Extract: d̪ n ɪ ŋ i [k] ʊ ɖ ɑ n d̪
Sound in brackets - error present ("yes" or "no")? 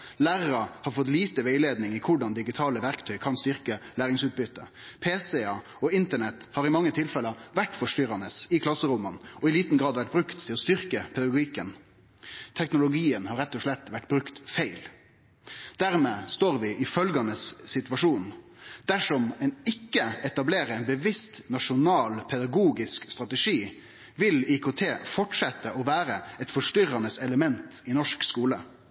yes